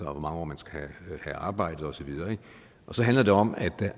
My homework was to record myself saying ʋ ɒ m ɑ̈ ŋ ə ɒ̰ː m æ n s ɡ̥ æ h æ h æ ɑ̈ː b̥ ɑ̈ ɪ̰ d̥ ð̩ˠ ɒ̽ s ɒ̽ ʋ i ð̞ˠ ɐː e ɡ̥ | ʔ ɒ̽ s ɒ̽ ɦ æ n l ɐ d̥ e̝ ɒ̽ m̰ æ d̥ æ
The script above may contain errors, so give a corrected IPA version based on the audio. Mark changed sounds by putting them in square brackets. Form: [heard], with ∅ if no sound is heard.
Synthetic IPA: ʋ ɒ m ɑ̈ ŋ ə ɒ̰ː m æ n s ɡ̥ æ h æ h æ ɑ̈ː b̥ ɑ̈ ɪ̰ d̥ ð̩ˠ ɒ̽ s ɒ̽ ʋ i ð̞ˠ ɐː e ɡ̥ | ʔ ɒ̽ s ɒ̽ ɦ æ n l ɐ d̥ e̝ ɒ̽ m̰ æ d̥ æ